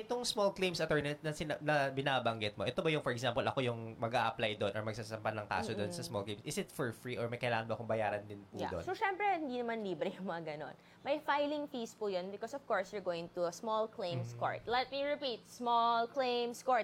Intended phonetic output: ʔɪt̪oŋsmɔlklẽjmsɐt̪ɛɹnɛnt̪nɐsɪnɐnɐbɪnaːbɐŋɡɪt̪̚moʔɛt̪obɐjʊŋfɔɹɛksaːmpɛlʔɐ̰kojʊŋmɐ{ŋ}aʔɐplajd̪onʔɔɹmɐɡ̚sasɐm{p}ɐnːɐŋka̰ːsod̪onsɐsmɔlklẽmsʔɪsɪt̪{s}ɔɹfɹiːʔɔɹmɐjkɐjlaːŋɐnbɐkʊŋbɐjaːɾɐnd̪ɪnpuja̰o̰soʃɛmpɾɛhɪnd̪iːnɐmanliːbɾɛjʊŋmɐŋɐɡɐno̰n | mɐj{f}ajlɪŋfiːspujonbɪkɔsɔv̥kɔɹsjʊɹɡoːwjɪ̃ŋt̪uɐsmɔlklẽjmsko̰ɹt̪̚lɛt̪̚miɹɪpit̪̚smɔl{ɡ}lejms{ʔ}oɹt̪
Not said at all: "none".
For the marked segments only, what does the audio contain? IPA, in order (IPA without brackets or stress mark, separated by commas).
ɡ, p, f, f, k, k